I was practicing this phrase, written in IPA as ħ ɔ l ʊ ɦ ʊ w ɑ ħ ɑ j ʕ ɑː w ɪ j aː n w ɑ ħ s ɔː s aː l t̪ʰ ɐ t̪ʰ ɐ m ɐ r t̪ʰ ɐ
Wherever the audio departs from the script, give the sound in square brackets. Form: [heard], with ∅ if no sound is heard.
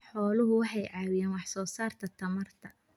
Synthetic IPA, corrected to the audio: ħ [ɔː] l ʊ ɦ ʊ w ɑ ħ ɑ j ʕ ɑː w ɪ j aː n w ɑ ħ s ɔː s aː [r] t̪ʰ ɐ t̪ʰ ɐ m ɐ r t̪ʰ ɐ